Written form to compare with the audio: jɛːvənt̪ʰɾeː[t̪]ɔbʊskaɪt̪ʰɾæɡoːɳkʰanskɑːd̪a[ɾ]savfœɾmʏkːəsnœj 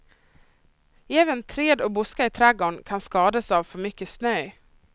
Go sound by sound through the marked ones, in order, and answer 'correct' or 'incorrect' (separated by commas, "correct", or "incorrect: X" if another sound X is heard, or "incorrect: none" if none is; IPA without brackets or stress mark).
incorrect: d̪, incorrect: none